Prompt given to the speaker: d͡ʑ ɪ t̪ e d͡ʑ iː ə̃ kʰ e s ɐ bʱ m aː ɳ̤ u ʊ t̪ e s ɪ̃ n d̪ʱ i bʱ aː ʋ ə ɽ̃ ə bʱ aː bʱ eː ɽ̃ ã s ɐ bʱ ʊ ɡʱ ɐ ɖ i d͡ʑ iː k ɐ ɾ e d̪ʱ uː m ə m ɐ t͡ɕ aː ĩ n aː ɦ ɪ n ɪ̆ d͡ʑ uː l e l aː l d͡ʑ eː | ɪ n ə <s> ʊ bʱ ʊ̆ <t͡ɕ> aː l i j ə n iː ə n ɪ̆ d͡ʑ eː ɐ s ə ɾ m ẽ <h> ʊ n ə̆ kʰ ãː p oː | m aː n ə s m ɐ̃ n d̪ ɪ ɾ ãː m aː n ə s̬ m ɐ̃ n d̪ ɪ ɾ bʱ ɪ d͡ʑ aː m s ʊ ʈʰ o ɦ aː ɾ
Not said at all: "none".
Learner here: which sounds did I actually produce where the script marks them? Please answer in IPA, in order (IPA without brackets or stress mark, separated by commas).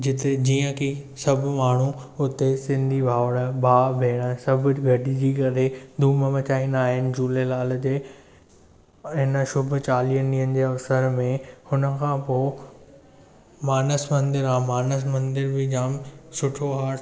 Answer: ʃ, t͡ɕ, h